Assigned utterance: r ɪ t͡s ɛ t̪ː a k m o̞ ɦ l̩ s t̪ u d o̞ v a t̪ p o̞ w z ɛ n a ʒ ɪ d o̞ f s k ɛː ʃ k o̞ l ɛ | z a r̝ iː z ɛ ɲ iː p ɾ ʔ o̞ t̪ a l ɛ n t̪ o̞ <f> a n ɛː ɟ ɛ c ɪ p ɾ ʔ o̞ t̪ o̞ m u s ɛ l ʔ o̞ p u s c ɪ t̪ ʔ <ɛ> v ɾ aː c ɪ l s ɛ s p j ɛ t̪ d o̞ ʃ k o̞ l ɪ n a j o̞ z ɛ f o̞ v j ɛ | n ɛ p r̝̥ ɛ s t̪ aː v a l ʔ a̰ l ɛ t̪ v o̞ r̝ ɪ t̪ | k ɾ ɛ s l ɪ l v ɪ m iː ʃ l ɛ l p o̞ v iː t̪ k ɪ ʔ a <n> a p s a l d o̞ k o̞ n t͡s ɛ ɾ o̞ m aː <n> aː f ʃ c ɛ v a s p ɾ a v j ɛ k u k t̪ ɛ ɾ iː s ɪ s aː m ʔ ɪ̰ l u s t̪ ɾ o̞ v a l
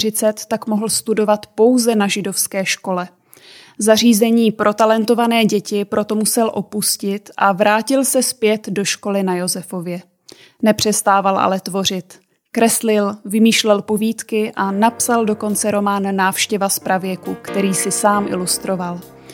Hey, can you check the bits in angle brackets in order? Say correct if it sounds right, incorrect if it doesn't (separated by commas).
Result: incorrect, incorrect, correct, incorrect